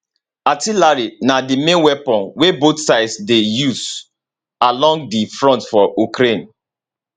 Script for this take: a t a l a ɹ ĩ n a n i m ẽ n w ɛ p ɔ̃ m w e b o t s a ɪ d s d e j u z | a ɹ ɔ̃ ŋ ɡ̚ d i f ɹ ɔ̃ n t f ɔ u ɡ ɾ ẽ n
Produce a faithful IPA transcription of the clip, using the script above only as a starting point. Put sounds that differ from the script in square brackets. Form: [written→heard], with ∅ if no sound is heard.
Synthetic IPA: a t [a→i] l a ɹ [ĩ→i] n a [n→d] i m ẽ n w ɛ p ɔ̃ [m→n] w e b o t s a ɪ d s d e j u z | a [ɹ→l] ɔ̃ ŋ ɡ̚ d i f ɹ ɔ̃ n t f ɔ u [ɡ→k] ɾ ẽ n

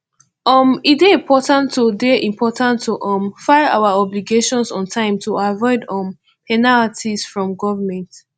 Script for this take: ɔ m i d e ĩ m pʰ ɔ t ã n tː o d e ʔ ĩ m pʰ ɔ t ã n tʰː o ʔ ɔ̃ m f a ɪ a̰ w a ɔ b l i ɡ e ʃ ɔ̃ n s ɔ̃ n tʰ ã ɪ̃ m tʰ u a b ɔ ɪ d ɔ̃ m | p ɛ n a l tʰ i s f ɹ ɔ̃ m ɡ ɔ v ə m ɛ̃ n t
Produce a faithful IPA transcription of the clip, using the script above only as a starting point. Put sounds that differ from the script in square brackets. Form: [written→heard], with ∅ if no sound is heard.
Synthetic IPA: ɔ m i d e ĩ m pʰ ɔ t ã n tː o d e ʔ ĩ m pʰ ɔ t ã n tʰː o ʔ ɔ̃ m f a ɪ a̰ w a ɔ b l i ɡ e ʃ ɔ̃ n s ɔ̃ n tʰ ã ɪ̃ m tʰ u a [b→v] ɔ ɪ d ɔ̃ m | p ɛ n a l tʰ i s f ɹ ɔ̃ m ɡ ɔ v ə m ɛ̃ n t

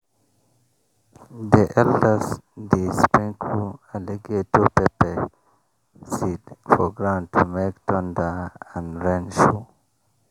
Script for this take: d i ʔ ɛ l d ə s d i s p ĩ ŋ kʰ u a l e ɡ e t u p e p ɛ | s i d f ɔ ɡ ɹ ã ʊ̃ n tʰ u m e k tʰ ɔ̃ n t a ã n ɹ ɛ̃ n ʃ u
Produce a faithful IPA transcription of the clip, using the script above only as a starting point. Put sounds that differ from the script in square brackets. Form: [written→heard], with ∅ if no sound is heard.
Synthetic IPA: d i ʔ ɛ l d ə s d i s p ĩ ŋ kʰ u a l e ɡ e t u p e p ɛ | s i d f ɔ ɡ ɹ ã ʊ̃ n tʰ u m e k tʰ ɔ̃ n [t→d] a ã n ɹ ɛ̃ n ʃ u

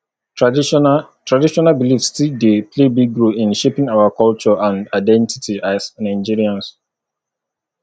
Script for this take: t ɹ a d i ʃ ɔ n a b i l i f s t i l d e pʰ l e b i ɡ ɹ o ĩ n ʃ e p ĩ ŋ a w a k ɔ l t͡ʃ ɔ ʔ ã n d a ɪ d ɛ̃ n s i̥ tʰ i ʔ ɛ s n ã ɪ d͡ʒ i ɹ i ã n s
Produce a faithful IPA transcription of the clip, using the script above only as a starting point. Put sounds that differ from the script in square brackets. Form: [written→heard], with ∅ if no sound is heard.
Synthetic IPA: t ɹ a d i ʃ ɔ n a b i l i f s t i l d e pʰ l e b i ɡ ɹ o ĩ n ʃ e p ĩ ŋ a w a k ɔ l t͡ʃ ɔ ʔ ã n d a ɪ d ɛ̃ n [s→t] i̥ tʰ i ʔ [ɛ→a] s n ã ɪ d͡ʒ i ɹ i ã n s

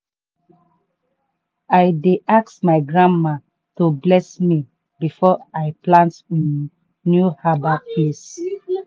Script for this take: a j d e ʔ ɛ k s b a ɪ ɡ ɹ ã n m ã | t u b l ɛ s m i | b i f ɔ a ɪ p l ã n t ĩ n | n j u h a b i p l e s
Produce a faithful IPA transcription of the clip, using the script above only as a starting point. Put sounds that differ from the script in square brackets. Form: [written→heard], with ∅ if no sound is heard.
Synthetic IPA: a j d e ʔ [ɛ→a] k s [b→m] a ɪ ɡ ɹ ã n m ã | t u b l ɛ s m i | b i f ɔ a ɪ p l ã n t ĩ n | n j u h a b [i→a] p l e s

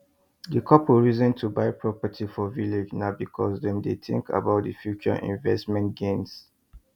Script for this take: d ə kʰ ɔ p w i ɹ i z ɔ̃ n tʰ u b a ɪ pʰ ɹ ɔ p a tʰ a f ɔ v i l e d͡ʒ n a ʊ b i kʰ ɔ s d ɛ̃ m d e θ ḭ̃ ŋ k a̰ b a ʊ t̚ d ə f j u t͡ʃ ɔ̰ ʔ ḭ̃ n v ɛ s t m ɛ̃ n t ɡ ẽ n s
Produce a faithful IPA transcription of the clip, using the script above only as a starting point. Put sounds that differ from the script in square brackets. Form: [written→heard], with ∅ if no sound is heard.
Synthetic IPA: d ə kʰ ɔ p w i ɹ i z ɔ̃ n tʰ u b a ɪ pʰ ɹ ɔ p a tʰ [a→i] f ɔ v i l e d͡ʒ n a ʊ b i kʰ ɔ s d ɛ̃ m d e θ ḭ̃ ŋ k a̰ b a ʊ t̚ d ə f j u t͡ʃ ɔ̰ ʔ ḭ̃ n v ɛ s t m ɛ̃ n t ɡ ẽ n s

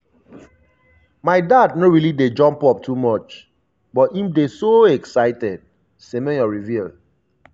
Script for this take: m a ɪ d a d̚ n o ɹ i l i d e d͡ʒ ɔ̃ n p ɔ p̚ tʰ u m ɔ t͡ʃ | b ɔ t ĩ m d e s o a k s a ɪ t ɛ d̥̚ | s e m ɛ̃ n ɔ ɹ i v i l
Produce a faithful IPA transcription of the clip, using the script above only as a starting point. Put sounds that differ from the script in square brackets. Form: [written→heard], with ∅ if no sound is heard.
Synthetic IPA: m a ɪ d a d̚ n o ɹ i l i d e d͡ʒ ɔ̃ [n→m] p ɔ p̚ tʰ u m ɔ t͡ʃ | b ɔ t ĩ m d e s o [a→ɛ] k s a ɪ t ɛ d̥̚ | s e m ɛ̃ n ɔ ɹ i v i l

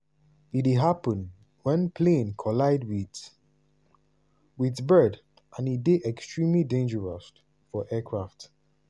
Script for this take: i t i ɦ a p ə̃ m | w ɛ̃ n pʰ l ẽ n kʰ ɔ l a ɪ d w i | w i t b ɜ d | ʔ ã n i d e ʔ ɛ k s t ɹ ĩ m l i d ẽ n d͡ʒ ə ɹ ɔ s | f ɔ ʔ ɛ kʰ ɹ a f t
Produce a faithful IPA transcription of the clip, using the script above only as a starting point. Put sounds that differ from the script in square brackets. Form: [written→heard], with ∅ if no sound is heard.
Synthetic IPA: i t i ɦ a p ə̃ [m→n] | w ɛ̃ n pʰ l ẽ n kʰ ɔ l a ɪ d w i | w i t b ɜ d | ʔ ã n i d e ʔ ɛ k s t ɹ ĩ m l i d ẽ n d͡ʒ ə ɹ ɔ s | f ɔ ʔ ɛ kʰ ɹ a f t

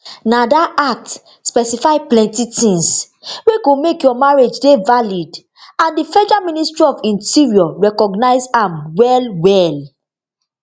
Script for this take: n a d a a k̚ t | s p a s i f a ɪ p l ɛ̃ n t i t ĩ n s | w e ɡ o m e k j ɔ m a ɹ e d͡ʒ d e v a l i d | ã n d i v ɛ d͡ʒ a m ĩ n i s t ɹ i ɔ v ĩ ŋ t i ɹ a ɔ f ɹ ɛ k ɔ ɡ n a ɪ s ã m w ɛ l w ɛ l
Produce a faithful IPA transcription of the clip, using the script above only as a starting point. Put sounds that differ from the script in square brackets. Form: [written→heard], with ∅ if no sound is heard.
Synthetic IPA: n a d a a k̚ t | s p [a→ɛ] s i f a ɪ p l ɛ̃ n t i t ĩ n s | w e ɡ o m e k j ɔ m a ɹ e d͡ʒ d e v a l i d | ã n d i [v→f] ɛ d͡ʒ a m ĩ n i s t ɹ i ɔ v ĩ [ŋ→n] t i ɹ [a→i] ɔ [f→∅] ɹ ɛ k ɔ ɡ n a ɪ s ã m w ɛ l w ɛ l

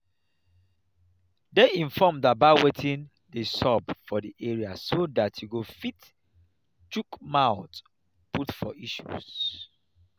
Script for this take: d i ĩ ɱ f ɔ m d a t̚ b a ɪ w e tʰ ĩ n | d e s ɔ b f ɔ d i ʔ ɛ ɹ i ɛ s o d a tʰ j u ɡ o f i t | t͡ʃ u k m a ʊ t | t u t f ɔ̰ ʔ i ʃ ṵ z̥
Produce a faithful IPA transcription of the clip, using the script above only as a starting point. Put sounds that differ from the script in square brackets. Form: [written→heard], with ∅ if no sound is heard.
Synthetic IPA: d [i→e] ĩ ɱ f ɔ m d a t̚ b a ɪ w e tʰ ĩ n | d e s ɔ b f ɔ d i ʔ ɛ ɹ i [ɛ→a] s o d a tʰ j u ɡ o f i t | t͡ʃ u k m a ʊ t | [t→p] u t f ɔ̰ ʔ i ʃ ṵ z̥

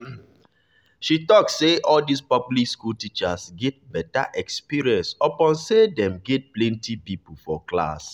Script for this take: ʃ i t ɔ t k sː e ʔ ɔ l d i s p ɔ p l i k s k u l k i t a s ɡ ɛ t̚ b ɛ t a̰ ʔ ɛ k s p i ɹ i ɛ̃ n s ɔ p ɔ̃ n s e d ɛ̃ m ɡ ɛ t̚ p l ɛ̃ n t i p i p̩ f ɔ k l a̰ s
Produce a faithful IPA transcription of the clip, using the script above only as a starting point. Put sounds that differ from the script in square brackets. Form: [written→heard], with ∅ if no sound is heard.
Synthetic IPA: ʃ i t ɔ [t→∅] k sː e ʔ ɔ l d i s p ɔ p l i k s k u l [k→t] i [t→t͡ʃ] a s ɡ ɛ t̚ b ɛ t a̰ ʔ ɛ k s p i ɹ i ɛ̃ n s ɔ p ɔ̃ n s e d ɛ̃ m ɡ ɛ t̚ p l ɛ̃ n t i p i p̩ f ɔ k l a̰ s

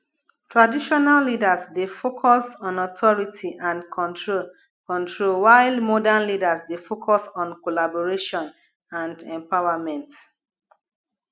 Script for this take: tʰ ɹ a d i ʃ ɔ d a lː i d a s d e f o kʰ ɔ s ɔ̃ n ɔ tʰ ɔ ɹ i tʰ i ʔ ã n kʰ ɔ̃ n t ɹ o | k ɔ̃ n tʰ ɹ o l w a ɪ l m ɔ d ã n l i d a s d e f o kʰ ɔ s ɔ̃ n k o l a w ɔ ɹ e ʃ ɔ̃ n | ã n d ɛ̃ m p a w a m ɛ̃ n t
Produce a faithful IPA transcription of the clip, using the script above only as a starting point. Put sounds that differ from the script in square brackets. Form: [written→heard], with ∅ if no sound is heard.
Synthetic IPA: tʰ ɹ a d i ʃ ɔ [d→n] a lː i d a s d e f o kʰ ɔ s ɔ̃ n ɔ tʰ ɔ ɹ i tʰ i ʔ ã n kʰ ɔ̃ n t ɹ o | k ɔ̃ n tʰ ɹ o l w a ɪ l m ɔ d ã n l i d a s d e f o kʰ ɔ s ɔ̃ n k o l a [w→b] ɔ ɹ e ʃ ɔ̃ n | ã n d ɛ̃ m p a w a m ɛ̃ n t

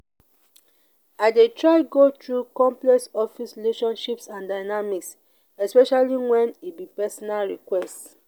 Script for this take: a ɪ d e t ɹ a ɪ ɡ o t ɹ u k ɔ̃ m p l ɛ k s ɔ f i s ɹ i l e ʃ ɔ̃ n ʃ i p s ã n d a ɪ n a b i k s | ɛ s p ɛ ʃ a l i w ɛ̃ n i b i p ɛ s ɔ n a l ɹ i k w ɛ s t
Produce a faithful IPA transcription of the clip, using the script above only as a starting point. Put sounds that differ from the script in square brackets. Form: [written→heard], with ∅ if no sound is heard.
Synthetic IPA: a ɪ d e t ɹ a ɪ ɡ o t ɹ u k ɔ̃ m p l ɛ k s ɔ f i s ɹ i l e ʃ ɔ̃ n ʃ i p s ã n d a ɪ n a [b→m] i k s | ɛ s p ɛ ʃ a l i w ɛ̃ n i b i p ɛ s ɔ n a l ɹ i k w ɛ s t

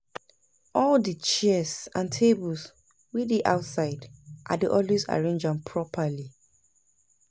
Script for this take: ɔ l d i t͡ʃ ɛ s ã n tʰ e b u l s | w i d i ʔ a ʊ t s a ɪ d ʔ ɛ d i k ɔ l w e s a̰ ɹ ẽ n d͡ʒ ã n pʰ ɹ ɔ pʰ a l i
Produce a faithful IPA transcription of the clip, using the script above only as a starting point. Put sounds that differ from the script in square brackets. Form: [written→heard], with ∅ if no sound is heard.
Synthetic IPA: ɔ l d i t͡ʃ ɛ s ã n tʰ e b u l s | w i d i ʔ a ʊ t s a ɪ d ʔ [ɛ→a] d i [k→ʔ] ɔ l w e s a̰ ɹ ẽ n d͡ʒ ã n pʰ ɹ ɔ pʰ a l i

